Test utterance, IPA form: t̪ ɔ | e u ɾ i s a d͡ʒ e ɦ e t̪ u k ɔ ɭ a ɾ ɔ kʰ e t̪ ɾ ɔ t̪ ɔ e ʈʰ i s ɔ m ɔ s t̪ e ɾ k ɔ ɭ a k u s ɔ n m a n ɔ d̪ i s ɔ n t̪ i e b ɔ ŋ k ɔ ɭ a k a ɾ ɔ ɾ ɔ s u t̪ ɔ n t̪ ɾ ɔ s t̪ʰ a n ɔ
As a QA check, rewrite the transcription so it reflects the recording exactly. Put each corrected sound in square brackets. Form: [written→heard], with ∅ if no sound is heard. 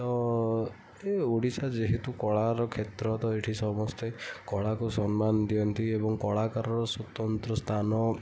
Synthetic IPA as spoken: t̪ ɔ | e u [ɾ→ɽ] i s a d͡ʒ e ɦ e t̪ u k ɔ ɭ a ɾ ɔ kʰ e t̪ ɾ ɔ t̪ ɔ e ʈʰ i s ɔ m ɔ s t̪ e [ɾ→∅] k ɔ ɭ a k u s ɔ n m a n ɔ d̪ i [s→∅] ɔ n t̪ i e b ɔ ŋ k ɔ ɭ a k a ɾ ɔ ɾ ɔ s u t̪ ɔ n t̪ ɾ ɔ s t̪ʰ a n ɔ